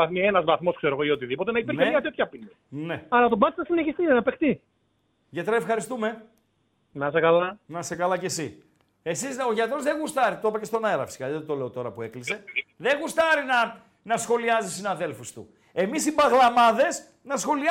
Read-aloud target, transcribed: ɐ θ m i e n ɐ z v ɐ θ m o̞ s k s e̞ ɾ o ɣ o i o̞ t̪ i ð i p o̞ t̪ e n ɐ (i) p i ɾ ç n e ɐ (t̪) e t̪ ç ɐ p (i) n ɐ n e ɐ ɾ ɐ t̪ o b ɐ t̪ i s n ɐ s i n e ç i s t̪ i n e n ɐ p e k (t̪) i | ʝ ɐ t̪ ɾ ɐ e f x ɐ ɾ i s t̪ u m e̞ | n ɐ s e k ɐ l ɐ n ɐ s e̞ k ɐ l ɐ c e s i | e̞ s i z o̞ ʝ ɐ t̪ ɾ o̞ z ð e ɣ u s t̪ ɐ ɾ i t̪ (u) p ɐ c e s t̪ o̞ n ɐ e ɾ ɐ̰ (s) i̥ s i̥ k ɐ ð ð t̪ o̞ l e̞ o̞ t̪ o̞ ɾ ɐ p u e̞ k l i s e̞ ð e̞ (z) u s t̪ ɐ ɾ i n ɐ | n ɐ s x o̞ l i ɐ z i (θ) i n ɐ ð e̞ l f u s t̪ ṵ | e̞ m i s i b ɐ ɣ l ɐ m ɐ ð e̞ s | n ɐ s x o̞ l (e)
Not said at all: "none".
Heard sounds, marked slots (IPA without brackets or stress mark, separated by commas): i, t̪, i, t̪, o, f, ɣ, s, i